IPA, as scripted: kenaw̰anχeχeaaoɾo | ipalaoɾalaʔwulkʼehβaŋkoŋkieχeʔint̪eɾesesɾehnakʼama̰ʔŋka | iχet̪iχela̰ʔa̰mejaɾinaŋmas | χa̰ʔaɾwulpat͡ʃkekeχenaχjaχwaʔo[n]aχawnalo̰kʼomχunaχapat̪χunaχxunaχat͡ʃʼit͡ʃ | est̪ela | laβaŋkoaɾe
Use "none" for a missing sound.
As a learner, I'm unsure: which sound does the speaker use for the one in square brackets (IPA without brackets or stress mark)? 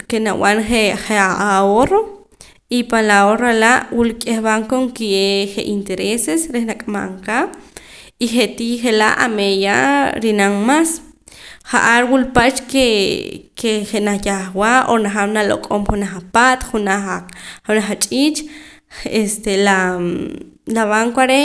n